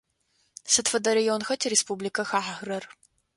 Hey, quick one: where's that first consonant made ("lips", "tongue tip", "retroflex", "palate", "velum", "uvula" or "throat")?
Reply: tongue tip